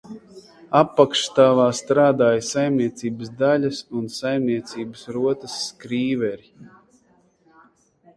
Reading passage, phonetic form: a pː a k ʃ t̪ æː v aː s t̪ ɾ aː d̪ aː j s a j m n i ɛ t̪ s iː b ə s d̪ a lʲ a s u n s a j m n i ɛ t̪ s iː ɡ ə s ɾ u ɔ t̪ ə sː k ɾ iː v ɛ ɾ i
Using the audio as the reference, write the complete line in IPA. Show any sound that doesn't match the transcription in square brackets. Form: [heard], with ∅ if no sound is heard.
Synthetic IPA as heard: a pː a k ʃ t̪ [aː] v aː s t̪ ɾ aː d̪ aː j s a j m n i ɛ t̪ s iː b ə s d̪ a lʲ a s u n s a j m n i ɛ t̪ s iː [b] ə s ɾ u ɔ t̪ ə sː k ɾ iː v ɛ ɾ i